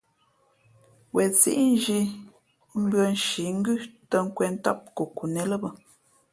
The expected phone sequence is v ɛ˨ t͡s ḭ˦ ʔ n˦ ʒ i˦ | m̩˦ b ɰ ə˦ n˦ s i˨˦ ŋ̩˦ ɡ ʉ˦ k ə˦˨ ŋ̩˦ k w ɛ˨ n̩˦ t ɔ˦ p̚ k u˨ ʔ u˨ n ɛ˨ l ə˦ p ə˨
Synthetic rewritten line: w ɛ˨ t͡s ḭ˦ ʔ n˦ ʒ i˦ | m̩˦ b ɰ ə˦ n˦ ʃ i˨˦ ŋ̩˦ ɡ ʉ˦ t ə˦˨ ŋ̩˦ k w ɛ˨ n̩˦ t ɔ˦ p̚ k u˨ k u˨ n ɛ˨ l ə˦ b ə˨